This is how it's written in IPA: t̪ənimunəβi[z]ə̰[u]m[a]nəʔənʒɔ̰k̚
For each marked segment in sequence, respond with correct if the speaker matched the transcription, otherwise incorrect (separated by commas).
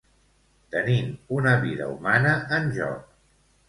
incorrect, correct, correct